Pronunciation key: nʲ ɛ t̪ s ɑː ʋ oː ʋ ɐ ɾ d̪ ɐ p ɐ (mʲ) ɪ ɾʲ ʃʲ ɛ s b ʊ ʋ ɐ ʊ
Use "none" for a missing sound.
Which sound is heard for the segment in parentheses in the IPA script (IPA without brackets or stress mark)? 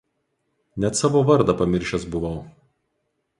mʲ